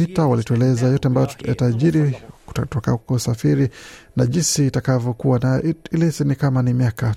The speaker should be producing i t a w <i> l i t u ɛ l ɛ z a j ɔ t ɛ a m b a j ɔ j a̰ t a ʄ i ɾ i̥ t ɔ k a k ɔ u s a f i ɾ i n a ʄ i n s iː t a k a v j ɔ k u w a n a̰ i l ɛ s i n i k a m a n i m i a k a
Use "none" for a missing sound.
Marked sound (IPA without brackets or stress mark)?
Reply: a